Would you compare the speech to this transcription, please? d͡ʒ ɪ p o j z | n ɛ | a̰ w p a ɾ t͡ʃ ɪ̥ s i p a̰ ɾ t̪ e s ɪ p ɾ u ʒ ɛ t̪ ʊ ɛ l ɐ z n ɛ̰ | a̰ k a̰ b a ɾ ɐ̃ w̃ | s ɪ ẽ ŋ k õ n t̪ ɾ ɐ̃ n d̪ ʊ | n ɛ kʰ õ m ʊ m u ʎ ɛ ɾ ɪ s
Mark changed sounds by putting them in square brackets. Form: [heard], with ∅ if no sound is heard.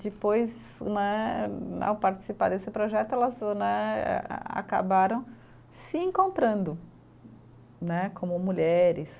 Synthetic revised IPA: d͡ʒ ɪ p o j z | n ɛ | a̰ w p a ɾ t͡ʃ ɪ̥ s i p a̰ ɾ [d̪] e s ɪ p ɾ [o] ʒ ɛ t̪ ʊ ɛ l ɐ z n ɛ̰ | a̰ k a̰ b a ɾ ɐ̃ w̃ | s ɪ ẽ ŋ k õ n t̪ ɾ ɐ̃ n d̪ ʊ | n ɛ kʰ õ m ʊ m u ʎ ɛ ɾ ɪ s